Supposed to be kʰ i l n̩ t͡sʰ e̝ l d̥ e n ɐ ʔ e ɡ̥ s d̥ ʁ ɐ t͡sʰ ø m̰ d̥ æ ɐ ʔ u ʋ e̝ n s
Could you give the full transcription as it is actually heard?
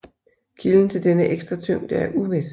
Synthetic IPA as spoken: kʰ i l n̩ t͡sʰ e̝ l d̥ e n ə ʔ e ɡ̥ s d̥ ʁ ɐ t͡sʰ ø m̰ d̥ æ ɐ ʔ u ʋ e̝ s

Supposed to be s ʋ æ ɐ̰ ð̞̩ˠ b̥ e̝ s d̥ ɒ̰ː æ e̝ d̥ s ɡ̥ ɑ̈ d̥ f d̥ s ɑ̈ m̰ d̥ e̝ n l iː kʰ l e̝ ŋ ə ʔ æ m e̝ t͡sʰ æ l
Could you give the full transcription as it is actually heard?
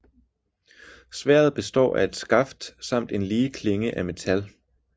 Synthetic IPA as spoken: s ʋ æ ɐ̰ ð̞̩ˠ b̥ e̝ s d̥ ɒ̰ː æ e̝ d̥ s ɡ̥ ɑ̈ f d̥ s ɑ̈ m̰ d̥ e̝ n l iː kʰ l e̝ ŋ ə ʔ æ m e̝ t͡sʰ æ l

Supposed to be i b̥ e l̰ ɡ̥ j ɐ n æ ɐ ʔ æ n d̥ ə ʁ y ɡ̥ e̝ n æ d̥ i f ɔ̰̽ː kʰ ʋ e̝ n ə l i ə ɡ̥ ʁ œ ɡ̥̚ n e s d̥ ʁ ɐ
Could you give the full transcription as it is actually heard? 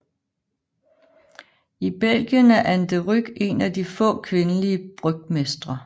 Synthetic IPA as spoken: i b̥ e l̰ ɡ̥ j ə n æ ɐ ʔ æ n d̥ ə ʁ y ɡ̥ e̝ n æ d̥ i f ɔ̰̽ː kʰ ʋ e̝ n ə l i ə b̥ ʁ œ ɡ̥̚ m e s d̥ ʁ ɐ

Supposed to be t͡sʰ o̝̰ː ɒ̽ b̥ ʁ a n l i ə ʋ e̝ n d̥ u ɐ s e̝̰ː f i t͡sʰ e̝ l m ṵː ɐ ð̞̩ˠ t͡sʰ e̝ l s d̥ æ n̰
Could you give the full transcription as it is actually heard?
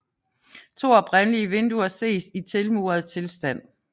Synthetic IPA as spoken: t͡sʰ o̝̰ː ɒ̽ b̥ ʁ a n l i ə ʋ e̝ n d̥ u ɐ s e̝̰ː s i t͡sʰ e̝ l m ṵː ɐ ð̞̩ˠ t͡sʰ e̝ l s d̥ æ n̰

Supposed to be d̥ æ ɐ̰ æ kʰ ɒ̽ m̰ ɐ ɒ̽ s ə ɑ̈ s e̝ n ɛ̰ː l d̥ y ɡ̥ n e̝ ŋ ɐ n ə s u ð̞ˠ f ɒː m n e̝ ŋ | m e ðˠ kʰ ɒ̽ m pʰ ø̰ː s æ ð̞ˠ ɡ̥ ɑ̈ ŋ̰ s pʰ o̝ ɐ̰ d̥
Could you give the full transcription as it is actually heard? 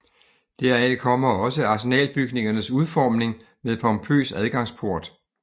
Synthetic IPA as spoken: d̥ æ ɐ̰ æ kʰ ɒ̽ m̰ ɐ ɒ̽ s ə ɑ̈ s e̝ n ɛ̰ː l b̥ y ɡ̥ n e̝ ŋ ɐ n ə s u ð̞ˠ f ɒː m n e̝ ŋ | m e ðˠ pʰ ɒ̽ m pʰ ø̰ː s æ ð̞ˠ ɡ̥ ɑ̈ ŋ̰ s pʰ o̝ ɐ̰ d̥

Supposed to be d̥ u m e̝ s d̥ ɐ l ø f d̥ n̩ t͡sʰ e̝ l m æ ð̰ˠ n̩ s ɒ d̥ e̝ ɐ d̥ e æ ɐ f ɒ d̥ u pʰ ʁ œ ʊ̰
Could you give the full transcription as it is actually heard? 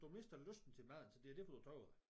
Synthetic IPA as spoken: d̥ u m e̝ s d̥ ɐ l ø s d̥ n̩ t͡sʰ e̝ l m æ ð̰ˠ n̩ s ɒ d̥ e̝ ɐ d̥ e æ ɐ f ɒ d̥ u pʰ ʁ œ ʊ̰

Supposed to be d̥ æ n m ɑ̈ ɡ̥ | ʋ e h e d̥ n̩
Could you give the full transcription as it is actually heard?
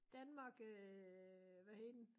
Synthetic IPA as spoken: d̥ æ n m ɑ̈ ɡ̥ | ʋ æ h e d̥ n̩

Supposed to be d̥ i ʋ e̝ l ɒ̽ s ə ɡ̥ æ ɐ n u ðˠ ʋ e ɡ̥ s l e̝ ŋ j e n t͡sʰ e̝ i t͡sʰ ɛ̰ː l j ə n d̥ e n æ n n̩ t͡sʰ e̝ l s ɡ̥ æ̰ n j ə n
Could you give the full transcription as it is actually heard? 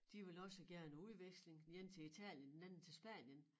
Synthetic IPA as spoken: d̥ i ʋ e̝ l ɒ̽ s ə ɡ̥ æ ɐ n u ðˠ ʋ e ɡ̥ s l e̝ ŋ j e n t͡sʰ e̝ i t͡sʰ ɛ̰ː l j ə n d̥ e n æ n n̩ t͡sʰ e̝ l s b̥ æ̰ n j ə n

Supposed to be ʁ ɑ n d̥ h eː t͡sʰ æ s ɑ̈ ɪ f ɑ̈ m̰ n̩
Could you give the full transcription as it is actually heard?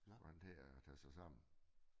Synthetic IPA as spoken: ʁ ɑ n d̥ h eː t͡sʰ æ s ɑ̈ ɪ s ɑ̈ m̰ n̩

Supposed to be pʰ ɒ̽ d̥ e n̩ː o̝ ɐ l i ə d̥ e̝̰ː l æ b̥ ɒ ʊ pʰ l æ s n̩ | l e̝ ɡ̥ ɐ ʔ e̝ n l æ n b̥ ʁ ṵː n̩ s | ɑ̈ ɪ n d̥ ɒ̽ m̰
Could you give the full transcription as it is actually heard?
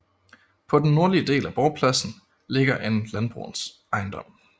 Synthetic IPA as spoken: pʰ ɒ̽ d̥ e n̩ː o̝ ɐ l i ə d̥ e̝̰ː l æ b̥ ɒ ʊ pʰ l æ s n̩ | l e̝ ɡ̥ ɐ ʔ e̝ n l æ n b̥ ʁ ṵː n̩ s | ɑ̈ ɪ n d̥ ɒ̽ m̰

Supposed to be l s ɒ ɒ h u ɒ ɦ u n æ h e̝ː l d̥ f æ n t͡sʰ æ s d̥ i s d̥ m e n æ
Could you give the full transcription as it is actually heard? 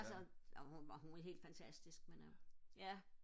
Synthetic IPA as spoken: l s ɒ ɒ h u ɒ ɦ u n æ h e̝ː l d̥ f æ n t͡sʰ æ s d̥ i s ɡ̥ m e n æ

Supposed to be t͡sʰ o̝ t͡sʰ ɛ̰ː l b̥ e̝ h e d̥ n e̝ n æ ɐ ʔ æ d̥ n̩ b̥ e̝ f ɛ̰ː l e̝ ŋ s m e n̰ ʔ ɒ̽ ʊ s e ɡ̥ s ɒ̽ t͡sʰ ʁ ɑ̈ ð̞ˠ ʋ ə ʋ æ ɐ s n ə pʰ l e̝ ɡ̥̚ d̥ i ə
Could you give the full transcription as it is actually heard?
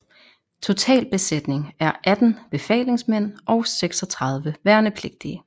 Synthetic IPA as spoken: t͡sʰ o̝ t͡sʰ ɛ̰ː l b̥ e̝ s e d̥ n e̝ ŋ æ ɐ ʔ æ d̥ n̩ b̥ e̝ f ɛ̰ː l e̝ ŋ s m e n̰ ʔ ɒ̽ ʊ s e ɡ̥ s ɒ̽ t͡sʰ ʁ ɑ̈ ð̞ˠ ʋ ə ʋ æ ɐ n ə pʰ l e̝ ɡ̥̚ d̥ i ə

